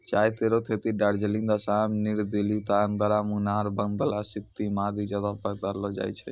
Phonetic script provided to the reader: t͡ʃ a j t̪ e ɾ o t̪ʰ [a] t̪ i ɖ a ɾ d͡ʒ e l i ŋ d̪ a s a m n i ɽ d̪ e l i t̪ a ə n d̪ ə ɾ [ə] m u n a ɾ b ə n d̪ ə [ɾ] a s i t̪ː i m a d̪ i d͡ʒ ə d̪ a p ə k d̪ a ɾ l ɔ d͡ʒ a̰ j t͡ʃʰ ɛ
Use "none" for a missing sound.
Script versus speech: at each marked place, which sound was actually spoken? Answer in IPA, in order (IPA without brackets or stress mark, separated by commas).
e, a, l